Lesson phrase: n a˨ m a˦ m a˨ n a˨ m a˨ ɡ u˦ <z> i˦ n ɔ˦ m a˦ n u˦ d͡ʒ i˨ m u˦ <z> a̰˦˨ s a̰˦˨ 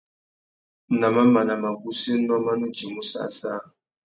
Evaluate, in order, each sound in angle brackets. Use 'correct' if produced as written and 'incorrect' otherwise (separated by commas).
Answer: incorrect, incorrect